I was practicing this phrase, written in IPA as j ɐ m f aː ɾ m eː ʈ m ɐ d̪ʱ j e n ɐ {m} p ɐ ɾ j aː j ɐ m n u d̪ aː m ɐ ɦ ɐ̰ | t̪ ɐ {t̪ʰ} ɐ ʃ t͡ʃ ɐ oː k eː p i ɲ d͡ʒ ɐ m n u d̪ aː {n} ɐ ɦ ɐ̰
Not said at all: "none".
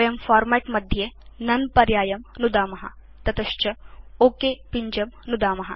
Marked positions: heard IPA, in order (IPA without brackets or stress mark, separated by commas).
n, t̪, m